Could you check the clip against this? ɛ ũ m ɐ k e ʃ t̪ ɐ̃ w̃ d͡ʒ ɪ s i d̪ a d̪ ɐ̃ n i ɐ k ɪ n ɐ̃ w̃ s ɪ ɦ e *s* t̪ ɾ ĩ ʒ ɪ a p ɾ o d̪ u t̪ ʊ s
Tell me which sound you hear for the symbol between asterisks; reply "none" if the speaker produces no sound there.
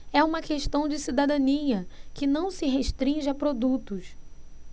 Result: ʃ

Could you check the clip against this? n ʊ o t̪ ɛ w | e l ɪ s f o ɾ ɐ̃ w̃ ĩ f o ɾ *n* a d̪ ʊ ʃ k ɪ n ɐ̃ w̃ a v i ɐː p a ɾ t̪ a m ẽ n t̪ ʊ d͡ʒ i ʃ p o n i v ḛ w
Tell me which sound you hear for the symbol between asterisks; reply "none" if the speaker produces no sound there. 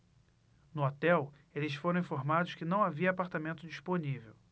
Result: m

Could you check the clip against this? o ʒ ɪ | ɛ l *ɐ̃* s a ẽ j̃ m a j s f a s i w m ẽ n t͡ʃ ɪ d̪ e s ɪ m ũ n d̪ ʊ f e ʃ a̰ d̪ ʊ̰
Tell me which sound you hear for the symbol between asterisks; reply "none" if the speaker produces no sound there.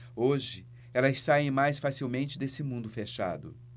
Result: ɐ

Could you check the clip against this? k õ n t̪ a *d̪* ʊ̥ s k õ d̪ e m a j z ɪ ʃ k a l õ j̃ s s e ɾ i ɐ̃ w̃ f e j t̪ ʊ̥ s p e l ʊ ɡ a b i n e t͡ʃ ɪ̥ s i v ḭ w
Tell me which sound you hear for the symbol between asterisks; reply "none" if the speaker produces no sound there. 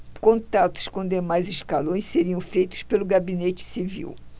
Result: t̪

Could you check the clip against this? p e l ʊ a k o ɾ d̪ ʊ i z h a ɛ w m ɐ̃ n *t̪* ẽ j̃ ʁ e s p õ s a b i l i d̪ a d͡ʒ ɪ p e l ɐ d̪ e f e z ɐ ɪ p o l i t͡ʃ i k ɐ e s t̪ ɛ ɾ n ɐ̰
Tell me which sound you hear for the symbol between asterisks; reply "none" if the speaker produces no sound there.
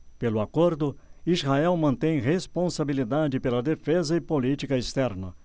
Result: t̪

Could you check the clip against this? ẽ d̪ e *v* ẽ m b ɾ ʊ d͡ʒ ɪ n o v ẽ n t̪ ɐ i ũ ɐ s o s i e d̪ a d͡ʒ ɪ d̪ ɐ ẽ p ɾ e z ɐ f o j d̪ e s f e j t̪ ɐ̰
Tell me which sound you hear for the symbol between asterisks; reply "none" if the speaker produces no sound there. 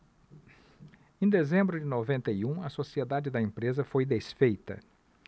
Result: z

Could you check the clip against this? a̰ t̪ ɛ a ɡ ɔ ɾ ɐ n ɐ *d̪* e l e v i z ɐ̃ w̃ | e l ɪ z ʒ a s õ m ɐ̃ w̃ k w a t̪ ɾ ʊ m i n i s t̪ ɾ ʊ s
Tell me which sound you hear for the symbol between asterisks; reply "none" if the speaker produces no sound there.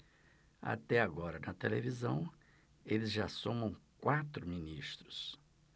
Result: t̪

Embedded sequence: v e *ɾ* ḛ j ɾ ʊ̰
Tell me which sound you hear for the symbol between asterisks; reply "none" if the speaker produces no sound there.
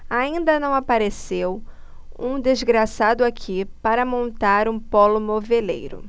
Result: l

